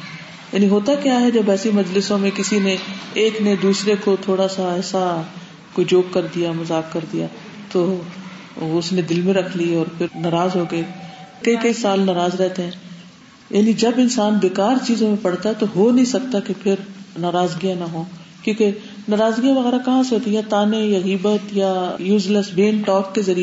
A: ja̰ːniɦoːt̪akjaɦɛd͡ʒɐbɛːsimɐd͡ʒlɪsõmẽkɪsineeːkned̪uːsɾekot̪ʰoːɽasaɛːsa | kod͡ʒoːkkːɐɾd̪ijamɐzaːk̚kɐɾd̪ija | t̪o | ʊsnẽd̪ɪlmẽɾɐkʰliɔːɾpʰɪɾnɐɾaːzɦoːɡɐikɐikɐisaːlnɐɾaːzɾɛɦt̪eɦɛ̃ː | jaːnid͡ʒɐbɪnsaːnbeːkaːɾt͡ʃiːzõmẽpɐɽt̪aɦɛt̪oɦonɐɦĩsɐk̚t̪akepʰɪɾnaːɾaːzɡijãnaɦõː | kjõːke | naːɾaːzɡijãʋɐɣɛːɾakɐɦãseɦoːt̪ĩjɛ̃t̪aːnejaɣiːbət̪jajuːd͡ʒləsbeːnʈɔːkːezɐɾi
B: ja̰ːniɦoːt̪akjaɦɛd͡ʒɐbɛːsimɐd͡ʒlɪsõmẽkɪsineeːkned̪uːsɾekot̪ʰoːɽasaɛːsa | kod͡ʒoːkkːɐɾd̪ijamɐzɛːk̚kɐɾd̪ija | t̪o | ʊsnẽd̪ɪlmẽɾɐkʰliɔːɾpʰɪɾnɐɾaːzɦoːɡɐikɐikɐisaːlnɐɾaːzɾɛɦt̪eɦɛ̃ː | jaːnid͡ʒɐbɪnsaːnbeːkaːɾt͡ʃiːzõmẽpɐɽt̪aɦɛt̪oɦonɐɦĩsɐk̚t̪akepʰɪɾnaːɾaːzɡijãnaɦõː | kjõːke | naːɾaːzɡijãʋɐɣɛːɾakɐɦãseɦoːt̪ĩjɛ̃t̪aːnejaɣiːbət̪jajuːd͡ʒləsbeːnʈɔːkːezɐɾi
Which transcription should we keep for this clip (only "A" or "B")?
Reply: A